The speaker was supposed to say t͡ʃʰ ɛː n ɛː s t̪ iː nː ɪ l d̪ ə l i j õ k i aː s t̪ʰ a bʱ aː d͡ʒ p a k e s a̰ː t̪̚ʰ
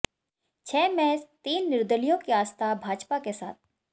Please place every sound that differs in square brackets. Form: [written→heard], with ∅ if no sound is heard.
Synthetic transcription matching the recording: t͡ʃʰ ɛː [n→m] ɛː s t̪ iː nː ɪ [l→ɾ] d̪ ə l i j õ k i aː s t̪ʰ a bʱ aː d͡ʒ p a k e s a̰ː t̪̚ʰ